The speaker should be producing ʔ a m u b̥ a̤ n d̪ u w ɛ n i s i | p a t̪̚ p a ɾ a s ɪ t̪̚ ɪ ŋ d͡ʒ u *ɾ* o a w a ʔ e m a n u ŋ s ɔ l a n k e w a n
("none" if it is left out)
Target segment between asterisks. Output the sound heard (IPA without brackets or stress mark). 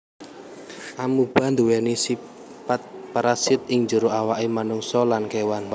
ɾ